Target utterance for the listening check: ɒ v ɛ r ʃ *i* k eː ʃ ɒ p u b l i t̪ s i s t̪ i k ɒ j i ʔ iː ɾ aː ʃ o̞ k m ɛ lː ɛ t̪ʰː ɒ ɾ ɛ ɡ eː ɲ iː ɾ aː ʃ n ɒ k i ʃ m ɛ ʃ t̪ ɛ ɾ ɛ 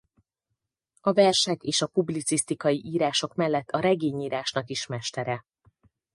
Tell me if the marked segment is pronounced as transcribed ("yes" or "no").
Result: no